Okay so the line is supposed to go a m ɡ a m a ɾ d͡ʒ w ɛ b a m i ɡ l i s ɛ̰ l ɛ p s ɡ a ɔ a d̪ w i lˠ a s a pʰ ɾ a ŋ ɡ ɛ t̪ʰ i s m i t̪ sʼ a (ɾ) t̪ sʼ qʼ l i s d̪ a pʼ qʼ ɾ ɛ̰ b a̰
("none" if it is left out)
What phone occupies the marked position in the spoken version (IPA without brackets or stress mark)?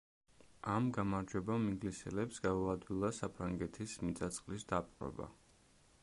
none